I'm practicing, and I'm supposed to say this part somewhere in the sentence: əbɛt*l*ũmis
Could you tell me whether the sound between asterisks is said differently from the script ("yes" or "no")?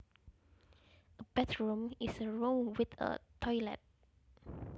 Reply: yes